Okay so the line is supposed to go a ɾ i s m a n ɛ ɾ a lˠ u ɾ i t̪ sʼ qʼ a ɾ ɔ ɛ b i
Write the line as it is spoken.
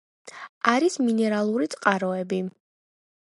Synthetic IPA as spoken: a ɾ i s m i n ɛ ɾ a lˠ u ɾ i t̪ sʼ qʼ a ɾ ɔ ɛ b i